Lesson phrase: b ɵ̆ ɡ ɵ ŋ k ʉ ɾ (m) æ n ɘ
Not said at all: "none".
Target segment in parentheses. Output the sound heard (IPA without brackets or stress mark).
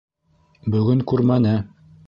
m